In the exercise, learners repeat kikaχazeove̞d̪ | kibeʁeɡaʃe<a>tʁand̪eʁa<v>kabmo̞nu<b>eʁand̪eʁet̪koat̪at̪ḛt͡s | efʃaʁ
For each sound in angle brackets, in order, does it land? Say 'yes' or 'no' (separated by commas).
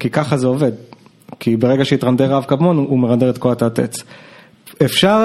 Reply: no, yes, no